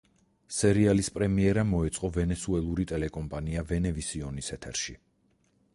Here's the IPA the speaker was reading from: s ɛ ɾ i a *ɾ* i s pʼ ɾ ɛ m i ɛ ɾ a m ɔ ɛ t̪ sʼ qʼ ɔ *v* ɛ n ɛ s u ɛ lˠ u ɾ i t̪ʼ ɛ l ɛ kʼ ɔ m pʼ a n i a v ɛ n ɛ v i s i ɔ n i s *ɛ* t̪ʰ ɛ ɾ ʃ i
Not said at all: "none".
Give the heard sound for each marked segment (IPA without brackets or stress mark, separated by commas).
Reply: l, v, ɛ